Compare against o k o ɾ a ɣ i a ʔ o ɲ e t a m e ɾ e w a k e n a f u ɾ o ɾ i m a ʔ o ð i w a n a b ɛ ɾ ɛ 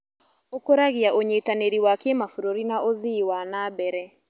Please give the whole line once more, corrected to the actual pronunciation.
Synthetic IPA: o k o ɾ a ɣ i a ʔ o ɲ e t a n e ɾ i w a k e m a f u ɾ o ɾ i n a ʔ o ð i w a n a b ɛ ɾ ɛ